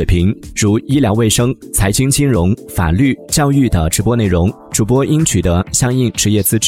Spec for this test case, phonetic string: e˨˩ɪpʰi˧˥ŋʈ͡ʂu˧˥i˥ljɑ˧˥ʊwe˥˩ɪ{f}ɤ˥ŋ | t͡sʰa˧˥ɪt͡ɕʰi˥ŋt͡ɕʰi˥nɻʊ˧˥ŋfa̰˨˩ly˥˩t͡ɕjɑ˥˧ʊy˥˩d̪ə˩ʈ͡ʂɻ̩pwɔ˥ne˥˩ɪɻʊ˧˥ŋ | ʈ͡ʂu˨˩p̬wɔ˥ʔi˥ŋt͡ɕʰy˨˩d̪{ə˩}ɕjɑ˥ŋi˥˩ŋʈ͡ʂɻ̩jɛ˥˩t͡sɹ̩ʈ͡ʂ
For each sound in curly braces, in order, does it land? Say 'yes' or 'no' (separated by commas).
no, no